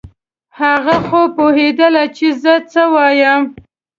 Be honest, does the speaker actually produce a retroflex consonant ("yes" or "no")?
no